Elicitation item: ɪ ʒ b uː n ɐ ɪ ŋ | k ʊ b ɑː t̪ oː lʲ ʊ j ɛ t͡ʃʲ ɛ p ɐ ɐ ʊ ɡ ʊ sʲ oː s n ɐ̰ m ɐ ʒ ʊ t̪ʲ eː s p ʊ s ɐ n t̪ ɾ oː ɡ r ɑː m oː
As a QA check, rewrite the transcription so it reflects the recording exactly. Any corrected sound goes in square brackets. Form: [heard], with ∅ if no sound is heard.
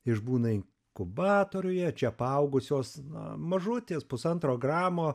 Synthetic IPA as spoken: ɪ ʒ b uː n ɐ ɪ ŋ | k ʊ b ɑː t̪ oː [ɾʲ] ʊ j ɛ t͡ʃʲ ɛ p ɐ ɐ ʊ ɡ ʊ sʲ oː s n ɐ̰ m ɐ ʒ ʊ t̪ʲ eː s p ʊ s ɐ n t̪ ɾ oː ɡ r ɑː m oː